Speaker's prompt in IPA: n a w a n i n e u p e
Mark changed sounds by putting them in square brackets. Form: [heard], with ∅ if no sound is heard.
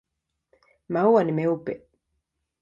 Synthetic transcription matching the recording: [m] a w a n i [m] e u p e